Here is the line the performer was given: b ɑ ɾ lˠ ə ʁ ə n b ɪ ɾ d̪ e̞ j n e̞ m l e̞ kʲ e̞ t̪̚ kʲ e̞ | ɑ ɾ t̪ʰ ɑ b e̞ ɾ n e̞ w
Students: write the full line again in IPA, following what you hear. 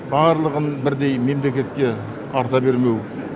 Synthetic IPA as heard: b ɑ ɾ lˠ ə ʁ ə n b ɪ ɾ d̪ e̞ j m e̞ m l e̞ kʲ e̞ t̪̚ kʲ e̞ | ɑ ɾ t̪ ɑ b e̞ ɾ m e̞ w